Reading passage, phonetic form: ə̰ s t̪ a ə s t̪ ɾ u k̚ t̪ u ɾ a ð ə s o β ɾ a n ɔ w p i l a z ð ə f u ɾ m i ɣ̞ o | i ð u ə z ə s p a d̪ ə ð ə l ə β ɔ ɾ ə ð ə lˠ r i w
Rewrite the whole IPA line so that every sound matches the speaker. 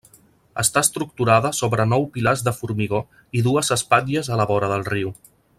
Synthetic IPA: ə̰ s t̪ a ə s t̪ ɾ u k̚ t̪ u ɾ a ð ə s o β ɾ ə n ɔ w p i l a z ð ə f u ɾ m i ɣ̞ o | i ð u ə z ə s p a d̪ ə z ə l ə β ɔ ɾ ə ð ə lˠ r i w